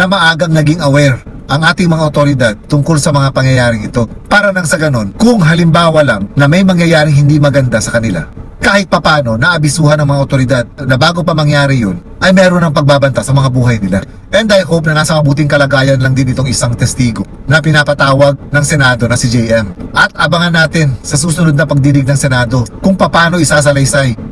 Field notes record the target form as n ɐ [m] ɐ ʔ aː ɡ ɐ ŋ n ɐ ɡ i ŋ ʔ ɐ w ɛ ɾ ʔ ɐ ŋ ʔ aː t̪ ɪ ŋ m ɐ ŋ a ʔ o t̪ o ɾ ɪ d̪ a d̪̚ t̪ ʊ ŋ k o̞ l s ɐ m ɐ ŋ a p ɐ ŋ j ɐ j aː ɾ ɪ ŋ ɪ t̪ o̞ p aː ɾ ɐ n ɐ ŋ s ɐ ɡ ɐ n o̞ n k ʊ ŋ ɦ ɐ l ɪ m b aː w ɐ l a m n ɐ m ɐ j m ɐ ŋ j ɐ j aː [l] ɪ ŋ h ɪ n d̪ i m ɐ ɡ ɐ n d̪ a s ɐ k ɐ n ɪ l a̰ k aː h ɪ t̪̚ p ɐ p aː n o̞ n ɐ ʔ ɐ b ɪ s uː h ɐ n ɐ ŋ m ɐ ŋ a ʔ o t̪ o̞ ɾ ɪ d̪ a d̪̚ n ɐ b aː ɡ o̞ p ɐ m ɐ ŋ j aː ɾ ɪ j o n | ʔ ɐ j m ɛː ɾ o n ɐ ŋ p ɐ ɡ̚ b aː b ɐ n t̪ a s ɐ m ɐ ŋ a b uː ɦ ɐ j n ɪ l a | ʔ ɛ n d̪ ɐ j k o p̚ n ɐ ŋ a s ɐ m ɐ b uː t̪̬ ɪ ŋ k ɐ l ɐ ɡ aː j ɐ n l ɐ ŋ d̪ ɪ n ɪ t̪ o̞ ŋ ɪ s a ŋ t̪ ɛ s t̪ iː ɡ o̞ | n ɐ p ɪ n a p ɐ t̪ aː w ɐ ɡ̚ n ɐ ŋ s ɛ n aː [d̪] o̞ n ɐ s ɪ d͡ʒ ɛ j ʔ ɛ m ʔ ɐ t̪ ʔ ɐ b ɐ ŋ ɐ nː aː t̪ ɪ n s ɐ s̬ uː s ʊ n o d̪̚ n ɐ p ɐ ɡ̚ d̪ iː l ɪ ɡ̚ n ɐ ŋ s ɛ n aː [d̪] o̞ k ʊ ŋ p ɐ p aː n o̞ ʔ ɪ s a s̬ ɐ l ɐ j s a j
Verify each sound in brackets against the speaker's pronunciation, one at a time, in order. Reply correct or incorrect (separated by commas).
correct, incorrect, correct, correct